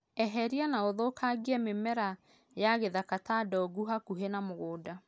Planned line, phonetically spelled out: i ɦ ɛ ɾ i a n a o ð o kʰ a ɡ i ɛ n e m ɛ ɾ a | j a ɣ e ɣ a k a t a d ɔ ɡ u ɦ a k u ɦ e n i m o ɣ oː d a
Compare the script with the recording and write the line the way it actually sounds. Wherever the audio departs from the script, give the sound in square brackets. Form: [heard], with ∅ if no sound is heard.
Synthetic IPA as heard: [ɛ] ɦ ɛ ɾ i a n a o ð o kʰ a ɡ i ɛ [m] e m ɛ ɾ a | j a ɣ e [ð] a k a t a d ɔ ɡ u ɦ a k u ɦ e n [a] m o ɣ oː d a